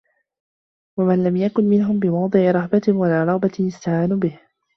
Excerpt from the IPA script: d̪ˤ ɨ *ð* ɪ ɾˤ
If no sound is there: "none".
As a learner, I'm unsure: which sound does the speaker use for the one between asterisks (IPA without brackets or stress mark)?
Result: ʕ